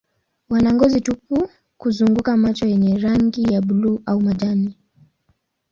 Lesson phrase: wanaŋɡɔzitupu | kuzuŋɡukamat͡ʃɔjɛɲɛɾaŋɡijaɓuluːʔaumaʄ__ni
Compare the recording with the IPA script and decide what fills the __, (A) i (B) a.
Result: B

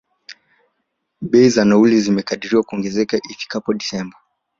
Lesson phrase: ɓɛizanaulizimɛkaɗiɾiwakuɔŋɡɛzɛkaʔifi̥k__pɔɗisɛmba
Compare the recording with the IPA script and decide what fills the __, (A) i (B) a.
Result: B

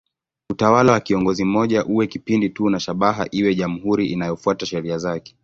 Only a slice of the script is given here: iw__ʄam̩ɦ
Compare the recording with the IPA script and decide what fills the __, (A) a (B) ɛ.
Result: B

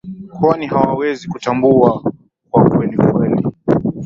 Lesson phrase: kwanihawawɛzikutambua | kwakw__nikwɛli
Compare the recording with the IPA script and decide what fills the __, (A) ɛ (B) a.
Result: A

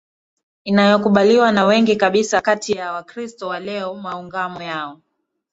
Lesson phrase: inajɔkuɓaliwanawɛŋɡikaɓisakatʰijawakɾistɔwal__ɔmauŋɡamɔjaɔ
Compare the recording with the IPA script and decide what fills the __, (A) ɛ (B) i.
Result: A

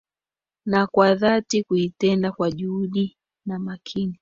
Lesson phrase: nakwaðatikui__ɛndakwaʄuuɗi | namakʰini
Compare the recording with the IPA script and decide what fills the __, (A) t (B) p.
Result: A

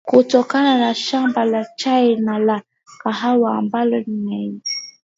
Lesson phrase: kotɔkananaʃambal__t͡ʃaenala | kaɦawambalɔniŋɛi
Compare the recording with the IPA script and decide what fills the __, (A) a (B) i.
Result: A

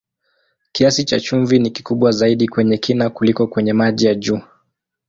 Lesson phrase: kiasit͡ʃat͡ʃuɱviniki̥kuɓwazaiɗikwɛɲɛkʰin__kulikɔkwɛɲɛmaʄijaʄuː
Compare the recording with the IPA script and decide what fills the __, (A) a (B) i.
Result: A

